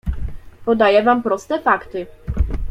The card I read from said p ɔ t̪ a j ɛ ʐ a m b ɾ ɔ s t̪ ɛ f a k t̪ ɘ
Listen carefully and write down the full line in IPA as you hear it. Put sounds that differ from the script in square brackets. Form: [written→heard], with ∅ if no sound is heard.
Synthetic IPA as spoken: p ɔ [t̪→d̪] a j ɛ [ʐ→v] a m [b→p] ɾ ɔ s t̪ ɛ f a k t̪ ɘ